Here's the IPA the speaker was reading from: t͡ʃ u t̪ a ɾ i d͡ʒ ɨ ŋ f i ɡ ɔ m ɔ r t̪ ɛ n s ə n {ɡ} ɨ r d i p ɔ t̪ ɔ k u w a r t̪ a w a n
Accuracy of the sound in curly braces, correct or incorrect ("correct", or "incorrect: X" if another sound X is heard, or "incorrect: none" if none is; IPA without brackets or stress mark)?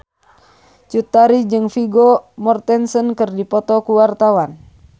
incorrect: k